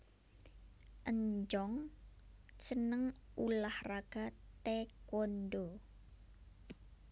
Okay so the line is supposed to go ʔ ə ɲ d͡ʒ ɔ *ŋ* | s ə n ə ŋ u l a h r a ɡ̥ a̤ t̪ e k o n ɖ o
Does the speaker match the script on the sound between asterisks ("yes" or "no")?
yes